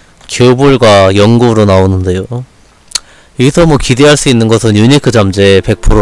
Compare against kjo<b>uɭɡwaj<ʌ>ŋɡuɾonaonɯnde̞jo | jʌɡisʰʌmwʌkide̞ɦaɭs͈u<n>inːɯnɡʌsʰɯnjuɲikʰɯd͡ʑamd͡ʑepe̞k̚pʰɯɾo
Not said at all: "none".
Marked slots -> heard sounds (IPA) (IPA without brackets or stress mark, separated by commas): b, ʌ, none